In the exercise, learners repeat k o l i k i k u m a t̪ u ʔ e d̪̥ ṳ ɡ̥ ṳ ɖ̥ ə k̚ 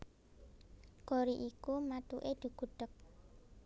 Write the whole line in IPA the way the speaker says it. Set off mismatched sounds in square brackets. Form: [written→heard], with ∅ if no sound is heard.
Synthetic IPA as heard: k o [l→ɾ] i [k→ʔ] i k u m a t̪ u ʔ e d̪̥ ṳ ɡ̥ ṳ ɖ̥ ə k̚

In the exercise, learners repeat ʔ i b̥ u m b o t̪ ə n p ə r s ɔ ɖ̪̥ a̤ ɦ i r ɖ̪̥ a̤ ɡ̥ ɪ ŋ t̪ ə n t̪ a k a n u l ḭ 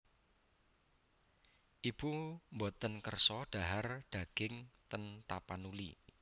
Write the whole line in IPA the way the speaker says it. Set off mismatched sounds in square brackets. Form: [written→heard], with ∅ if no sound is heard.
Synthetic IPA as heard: ʔ i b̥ u m b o t̪ ə n [p→k] ə r s ɔ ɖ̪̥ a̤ ɦ [i→a] r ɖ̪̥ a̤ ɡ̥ ɪ ŋ t̪ ə n t̪ a [k→p] a n u l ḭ

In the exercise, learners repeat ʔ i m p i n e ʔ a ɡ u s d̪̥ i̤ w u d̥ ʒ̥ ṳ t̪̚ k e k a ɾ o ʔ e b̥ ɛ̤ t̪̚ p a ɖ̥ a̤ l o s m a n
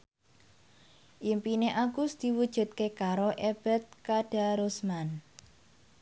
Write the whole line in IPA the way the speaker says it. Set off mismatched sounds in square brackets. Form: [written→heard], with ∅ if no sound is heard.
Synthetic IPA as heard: ʔ i m p i n e ʔ a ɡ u s d̪̥ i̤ w u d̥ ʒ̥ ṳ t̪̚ k e k a ɾ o ʔ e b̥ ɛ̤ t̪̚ [p→k] a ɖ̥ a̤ [l→ɾ] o s m a n

